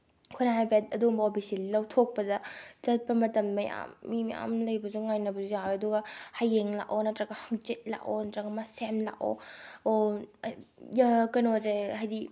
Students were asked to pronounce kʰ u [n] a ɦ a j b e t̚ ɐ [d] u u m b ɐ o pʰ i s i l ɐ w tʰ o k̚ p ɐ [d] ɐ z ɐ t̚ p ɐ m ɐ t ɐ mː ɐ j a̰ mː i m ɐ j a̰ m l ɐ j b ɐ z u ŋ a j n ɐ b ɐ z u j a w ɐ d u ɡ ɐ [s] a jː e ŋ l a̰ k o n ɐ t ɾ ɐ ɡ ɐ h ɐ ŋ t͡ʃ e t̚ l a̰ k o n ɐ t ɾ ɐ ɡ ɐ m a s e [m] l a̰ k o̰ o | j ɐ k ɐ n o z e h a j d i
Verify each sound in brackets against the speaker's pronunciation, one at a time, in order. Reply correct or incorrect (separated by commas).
correct, correct, correct, incorrect, correct